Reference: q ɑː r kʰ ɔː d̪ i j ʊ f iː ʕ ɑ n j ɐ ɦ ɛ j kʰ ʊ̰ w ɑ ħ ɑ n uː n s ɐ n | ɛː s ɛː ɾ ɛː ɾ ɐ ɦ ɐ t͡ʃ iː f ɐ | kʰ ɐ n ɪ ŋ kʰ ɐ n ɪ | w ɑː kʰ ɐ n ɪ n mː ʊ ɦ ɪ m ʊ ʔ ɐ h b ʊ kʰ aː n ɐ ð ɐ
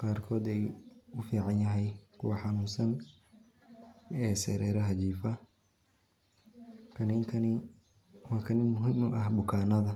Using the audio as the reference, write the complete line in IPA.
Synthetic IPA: q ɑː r kʰ ɔː d̪ ɛ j ʊ f iː ʕ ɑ n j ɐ ɦ ɛ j kʰ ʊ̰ w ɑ ħ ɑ n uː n s ɐ n | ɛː s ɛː ɾ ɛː ɾ ɐ ɦ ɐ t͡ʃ iː f ɐ | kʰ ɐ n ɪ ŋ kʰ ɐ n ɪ | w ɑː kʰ ɐ n ɪ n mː ʊ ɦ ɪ m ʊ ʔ ɐ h b ʊ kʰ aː n ɐ ð ɐ